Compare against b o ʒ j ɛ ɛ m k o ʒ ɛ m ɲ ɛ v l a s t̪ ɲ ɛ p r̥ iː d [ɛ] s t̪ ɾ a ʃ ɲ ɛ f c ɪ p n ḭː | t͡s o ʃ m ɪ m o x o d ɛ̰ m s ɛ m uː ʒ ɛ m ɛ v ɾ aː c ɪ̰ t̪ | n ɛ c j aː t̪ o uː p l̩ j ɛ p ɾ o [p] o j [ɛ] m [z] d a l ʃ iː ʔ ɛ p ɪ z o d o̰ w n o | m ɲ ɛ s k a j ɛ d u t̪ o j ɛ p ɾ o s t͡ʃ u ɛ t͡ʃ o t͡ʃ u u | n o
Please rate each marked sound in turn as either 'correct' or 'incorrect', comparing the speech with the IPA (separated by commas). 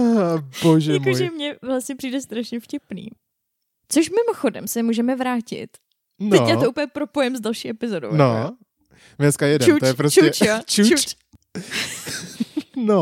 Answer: correct, correct, correct, correct